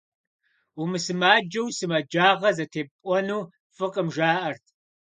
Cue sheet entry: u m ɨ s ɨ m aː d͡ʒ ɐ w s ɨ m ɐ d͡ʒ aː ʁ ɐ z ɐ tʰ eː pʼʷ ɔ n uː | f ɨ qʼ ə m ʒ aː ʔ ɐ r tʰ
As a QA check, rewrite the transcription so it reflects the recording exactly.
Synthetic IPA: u m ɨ s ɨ m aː d͡ʒ ɐ w s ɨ m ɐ d͡ʒ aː ʁ ɐ z ɐ tʰ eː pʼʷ ɔ n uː | f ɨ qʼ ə m ʒ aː ʔ ɐ r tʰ